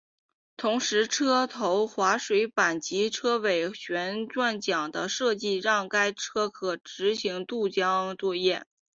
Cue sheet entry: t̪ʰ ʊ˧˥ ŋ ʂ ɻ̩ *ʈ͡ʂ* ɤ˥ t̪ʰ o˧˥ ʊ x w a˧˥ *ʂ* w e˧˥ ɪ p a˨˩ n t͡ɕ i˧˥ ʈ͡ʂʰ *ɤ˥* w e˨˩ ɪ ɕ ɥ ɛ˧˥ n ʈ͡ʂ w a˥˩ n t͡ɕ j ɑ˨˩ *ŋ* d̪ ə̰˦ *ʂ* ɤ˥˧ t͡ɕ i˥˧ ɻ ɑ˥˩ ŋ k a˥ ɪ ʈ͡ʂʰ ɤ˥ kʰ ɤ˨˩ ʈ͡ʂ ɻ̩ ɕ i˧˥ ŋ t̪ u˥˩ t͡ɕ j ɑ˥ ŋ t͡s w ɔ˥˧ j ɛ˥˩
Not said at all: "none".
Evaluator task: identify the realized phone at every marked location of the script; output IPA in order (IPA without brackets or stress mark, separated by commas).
ʈ͡ʂʰ, ʂ, ɤ˥, ŋ, ʂ